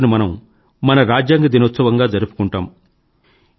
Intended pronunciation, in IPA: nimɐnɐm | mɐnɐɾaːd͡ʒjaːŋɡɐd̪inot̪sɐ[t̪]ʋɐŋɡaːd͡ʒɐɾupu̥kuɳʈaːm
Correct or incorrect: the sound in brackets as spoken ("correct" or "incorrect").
incorrect